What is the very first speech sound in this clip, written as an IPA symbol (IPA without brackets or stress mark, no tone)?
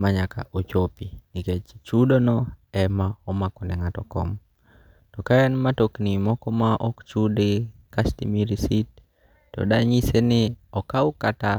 m